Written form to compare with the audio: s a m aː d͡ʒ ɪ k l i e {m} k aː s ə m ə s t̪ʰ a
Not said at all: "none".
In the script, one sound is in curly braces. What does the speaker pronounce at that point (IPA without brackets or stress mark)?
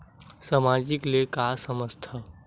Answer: none